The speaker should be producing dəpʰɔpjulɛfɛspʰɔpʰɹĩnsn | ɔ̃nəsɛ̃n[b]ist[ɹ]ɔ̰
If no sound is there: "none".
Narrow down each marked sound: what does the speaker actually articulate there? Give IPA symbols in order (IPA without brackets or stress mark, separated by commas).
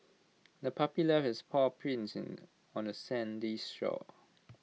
d, ɹ